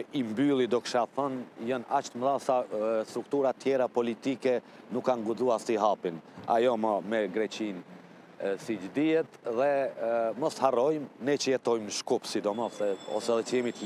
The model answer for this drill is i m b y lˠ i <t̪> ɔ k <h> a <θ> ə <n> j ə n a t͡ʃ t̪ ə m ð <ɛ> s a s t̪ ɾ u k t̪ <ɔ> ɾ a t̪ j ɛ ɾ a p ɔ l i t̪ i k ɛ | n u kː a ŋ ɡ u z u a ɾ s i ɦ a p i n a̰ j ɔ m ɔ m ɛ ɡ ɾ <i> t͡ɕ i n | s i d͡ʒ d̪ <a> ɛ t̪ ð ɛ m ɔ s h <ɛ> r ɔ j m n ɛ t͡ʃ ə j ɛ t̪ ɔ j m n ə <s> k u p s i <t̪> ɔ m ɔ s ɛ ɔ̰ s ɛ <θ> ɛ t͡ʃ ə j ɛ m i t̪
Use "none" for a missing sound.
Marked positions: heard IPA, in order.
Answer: d̪, ʃ, θ, n, a, u, ɛ, i, a, ʃ, d̪, ð

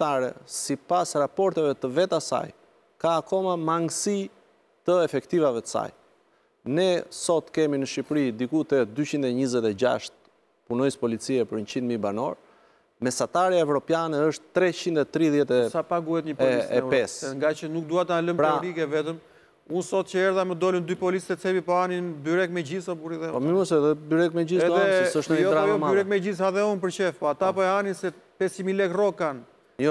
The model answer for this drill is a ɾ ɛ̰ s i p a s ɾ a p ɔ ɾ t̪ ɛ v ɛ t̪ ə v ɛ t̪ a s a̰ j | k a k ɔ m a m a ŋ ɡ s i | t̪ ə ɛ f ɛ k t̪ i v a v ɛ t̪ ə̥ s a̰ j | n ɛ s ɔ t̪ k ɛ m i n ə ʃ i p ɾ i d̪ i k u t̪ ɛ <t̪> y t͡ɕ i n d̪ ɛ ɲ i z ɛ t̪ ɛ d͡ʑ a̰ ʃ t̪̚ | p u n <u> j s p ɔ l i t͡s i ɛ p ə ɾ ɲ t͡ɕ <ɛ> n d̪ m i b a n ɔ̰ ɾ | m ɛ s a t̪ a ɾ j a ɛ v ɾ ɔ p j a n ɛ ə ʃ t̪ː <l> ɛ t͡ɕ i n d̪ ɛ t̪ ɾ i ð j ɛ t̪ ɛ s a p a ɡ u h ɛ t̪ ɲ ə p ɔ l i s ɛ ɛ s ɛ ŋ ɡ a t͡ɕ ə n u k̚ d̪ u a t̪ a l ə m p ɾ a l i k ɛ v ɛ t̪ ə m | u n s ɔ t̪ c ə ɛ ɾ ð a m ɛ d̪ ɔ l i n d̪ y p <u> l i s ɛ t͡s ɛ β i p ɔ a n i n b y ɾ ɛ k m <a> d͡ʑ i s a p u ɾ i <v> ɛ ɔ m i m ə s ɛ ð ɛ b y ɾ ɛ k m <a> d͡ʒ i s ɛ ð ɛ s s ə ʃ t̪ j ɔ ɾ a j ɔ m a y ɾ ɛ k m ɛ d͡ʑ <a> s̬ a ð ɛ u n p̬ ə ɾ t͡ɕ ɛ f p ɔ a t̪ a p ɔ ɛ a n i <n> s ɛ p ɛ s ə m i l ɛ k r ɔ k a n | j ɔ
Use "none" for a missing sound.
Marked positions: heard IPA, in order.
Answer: d̪, ɔ, i, ɾ, ɔ, ɛ, ð, ɛ, i, n

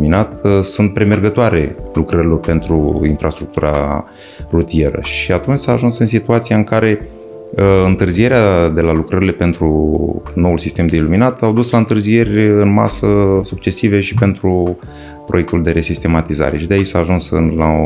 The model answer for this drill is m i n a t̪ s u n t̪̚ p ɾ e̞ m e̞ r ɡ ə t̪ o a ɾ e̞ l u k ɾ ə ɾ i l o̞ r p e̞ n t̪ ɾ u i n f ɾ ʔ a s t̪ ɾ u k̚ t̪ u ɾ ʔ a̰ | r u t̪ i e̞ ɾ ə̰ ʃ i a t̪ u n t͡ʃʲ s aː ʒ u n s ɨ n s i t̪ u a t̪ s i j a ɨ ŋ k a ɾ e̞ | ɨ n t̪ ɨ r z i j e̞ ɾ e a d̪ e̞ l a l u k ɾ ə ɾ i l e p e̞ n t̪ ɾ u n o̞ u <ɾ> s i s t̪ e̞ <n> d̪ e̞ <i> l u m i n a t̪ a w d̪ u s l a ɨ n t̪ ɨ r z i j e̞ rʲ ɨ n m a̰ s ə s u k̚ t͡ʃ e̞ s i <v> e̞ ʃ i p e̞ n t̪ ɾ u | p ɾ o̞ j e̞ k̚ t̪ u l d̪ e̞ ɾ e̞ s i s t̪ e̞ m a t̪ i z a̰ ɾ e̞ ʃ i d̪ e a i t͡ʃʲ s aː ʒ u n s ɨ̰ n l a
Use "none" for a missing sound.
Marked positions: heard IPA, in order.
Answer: l, m, i, v

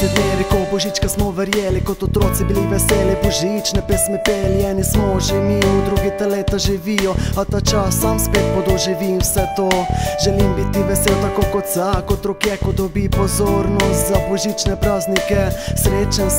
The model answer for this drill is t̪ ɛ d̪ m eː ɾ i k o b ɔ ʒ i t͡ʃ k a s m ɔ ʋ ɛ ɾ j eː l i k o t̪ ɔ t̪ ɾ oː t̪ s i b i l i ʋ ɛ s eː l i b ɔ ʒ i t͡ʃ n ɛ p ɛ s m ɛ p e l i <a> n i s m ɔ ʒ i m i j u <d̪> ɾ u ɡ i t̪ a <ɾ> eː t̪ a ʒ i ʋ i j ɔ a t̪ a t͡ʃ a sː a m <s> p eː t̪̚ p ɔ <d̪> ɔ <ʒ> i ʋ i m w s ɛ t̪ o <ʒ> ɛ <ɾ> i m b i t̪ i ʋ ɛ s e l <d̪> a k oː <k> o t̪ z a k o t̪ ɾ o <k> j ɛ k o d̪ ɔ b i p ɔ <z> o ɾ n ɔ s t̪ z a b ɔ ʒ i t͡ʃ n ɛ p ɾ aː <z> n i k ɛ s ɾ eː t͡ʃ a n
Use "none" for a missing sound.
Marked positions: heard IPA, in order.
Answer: ɛ, d̪, l, s, d̪, ʒ, ʒ, l, t̪, k, k, z, z

